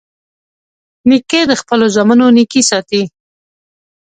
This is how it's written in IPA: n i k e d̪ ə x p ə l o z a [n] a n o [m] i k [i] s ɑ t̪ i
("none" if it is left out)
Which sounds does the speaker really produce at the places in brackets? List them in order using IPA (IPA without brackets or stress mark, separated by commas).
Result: m, n, i